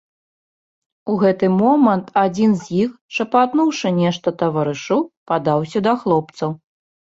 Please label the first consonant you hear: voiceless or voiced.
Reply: voiced